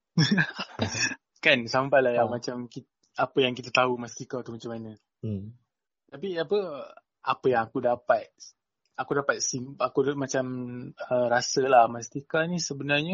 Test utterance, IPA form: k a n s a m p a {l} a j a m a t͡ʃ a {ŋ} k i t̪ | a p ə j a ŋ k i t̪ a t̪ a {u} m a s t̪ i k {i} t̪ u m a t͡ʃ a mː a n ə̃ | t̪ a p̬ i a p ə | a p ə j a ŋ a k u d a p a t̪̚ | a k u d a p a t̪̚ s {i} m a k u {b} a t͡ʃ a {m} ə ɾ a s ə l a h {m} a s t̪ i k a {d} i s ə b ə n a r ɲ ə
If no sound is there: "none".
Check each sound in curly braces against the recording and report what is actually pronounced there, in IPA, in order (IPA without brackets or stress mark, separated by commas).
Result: l, m, u, a, i, m, m, m, n